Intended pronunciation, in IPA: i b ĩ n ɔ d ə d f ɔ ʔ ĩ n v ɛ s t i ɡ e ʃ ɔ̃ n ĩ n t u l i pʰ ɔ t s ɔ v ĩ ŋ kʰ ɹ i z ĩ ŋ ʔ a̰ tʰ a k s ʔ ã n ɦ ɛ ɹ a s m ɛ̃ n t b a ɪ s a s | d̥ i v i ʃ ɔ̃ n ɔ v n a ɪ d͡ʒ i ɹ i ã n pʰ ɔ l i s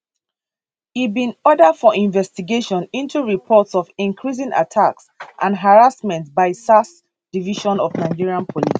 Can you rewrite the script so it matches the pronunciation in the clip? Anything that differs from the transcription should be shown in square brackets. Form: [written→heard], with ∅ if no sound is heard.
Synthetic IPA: i b ĩ n ɔ d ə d f ɔ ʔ ĩ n v ɛ s t i ɡ e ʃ ɔ̃ n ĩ n t u [l→ɹ] i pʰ ɔ t s ɔ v ĩ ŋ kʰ ɹ i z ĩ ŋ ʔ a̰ tʰ a k s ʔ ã n ɦ [ɛ→a] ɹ a s m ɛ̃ n t b a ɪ s a s | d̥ i v i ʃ ɔ̃ n ɔ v n a ɪ d͡ʒ i ɹ i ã n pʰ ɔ l i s